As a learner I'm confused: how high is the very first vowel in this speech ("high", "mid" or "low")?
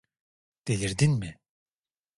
mid